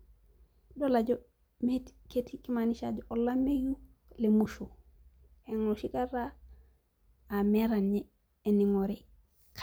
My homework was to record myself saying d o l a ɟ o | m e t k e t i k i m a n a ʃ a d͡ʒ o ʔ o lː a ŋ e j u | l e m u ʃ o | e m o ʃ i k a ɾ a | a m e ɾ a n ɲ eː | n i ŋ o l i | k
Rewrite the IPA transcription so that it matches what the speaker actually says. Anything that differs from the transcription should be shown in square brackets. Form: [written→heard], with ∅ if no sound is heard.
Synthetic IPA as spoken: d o l a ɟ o | m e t k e t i k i m a n [a→i] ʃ a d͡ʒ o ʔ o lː a [ŋ→m] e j u | l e m u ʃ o | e [m→ŋ] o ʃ i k a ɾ a | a m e ɾ a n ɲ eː | n i ŋ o [l→ɾ] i | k